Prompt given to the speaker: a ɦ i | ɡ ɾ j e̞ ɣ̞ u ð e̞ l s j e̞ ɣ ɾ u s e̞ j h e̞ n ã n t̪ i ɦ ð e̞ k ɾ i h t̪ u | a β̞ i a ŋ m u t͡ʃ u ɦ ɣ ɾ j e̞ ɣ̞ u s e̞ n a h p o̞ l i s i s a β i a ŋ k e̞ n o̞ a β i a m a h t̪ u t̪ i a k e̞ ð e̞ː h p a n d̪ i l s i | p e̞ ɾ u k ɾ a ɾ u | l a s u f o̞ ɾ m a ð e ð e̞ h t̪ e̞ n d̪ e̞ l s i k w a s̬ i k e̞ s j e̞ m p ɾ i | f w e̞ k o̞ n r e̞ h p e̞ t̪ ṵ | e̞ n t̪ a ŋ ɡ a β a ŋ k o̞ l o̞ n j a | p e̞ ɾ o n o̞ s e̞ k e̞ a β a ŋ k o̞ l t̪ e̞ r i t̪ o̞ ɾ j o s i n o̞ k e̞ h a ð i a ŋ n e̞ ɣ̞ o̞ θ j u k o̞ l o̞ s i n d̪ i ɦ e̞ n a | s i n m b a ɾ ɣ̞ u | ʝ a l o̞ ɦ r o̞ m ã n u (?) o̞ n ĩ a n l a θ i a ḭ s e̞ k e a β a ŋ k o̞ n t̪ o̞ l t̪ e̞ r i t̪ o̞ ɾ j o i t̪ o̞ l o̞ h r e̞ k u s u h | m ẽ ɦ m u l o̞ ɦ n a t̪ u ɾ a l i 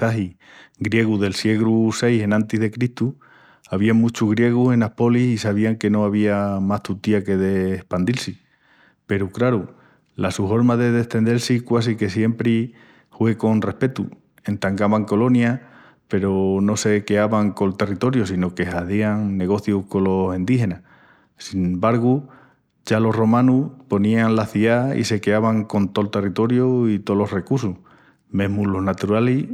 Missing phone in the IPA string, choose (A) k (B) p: B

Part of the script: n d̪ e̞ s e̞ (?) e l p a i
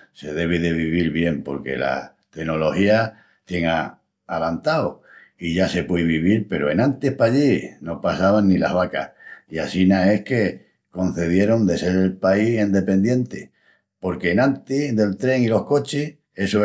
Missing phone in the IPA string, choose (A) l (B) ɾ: B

